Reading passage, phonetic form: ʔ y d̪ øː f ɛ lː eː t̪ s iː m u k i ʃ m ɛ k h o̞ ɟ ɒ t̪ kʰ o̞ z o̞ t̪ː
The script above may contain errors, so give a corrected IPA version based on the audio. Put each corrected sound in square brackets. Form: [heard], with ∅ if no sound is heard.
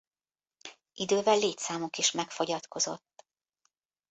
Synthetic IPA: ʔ [i] d̪ øː [v] ɛ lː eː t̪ s [aː] m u k i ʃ m ɛ k [f] o̞ ɟ ɒ t̪ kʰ o̞ z o̞ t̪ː